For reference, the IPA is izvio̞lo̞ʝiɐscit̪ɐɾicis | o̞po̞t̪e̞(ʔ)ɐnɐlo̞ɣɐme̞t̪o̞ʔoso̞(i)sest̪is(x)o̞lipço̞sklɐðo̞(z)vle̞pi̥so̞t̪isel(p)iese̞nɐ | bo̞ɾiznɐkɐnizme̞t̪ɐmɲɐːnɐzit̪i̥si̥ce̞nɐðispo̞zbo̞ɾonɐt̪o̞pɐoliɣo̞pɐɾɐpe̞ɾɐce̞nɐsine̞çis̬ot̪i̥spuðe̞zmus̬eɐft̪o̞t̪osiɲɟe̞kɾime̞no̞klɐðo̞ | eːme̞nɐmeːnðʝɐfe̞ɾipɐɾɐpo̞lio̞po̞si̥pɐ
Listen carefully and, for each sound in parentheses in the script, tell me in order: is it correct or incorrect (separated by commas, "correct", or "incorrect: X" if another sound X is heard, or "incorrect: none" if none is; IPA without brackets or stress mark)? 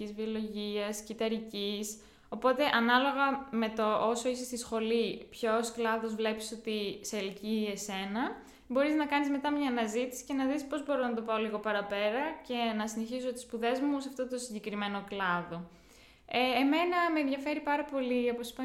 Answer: correct, correct, correct, correct, incorrect: c